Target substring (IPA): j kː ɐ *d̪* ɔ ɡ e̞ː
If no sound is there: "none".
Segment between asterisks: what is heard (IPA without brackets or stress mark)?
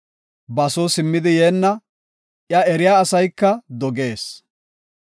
d̪